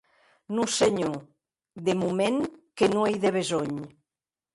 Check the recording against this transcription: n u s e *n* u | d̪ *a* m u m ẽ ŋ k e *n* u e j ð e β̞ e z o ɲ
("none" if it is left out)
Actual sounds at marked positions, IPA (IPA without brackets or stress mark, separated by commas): ɲ, e, n